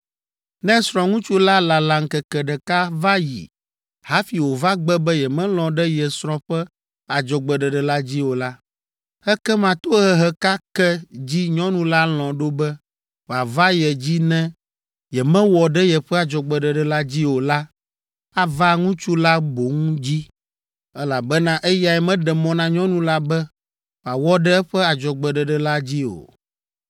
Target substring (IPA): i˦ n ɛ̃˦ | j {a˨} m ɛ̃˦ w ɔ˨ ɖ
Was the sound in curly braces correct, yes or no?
no